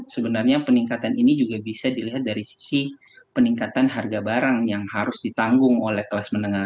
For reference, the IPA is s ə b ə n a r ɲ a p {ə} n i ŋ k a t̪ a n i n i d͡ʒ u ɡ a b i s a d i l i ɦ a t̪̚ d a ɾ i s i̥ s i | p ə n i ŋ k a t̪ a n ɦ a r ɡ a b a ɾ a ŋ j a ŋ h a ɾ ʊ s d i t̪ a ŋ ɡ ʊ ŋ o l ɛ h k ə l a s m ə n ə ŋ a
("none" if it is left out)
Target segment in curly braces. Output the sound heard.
ə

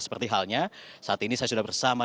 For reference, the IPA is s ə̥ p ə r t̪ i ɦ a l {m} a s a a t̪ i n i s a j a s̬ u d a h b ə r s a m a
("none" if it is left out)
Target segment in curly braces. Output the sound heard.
ɲ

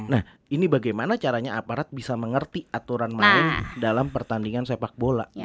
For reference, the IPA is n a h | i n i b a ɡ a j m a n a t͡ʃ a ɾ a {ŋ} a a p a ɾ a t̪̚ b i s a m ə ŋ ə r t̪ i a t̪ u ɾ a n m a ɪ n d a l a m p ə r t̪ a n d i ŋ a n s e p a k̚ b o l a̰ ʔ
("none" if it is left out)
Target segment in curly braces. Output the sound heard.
ɲ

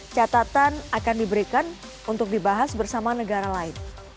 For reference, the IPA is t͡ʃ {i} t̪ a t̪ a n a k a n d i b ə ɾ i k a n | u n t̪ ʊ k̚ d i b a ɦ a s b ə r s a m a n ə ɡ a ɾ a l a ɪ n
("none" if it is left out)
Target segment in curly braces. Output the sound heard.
a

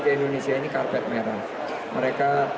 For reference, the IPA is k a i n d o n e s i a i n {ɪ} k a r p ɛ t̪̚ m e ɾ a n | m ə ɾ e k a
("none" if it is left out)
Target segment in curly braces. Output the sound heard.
i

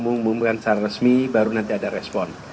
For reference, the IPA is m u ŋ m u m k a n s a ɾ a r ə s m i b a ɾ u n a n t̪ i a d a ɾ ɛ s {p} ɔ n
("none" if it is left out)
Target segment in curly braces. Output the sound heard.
p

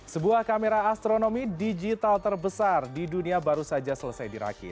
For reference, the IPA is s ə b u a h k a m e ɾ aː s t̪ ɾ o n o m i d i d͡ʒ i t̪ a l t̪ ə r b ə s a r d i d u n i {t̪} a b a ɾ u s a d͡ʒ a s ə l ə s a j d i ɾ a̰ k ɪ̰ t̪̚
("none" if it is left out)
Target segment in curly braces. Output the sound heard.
none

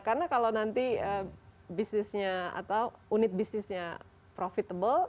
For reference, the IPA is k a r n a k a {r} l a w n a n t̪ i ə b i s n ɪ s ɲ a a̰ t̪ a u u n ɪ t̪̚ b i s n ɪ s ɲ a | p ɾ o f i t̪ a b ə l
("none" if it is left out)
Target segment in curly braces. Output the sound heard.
none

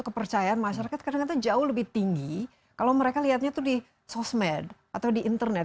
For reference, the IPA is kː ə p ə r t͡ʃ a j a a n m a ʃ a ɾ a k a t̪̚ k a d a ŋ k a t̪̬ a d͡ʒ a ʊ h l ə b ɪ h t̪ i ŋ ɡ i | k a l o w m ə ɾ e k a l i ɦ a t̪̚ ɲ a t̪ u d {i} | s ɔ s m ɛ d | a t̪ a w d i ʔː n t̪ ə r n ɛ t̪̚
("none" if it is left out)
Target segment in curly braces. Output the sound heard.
i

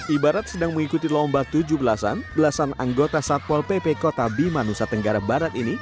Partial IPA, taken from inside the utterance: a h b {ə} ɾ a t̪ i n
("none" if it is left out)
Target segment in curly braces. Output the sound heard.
a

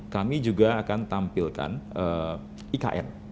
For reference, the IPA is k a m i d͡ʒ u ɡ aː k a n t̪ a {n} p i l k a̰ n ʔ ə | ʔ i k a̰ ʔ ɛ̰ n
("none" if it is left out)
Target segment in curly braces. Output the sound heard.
m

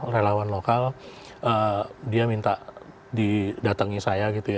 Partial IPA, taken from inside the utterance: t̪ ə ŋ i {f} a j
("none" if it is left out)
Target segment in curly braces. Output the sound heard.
s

